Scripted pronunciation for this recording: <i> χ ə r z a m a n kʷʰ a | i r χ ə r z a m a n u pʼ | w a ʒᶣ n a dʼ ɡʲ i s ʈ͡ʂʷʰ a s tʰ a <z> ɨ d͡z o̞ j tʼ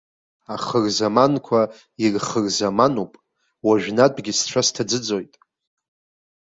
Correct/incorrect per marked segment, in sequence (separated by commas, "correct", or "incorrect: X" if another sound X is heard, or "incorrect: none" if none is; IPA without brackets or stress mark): incorrect: a, incorrect: d͡z